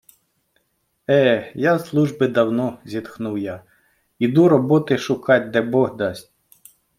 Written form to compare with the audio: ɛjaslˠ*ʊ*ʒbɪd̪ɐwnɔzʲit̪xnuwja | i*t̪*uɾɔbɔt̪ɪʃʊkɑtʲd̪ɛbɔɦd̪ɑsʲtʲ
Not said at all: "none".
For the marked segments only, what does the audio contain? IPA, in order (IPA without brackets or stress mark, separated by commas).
u, d̪